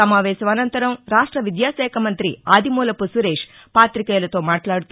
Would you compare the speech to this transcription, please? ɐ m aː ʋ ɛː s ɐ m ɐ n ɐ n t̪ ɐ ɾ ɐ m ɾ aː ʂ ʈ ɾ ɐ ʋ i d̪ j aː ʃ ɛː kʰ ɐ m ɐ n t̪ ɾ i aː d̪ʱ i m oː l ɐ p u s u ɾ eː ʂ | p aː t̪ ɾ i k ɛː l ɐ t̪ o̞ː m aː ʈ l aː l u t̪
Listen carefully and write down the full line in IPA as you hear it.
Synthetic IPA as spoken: ɐ m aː ʋ ɛː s ɐ m ɐ n ɐ n t̪ ɐ ɾ ɐ m ɾ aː ʂ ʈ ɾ ɐ ʋ i d̪ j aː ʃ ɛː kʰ ɐ m ɐ n t̪ ɾ i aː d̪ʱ i m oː l ɐ p u s u ɾ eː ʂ | p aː t̪ ɾ i k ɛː l ɐ t̪ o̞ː m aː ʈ l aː ɽ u t̪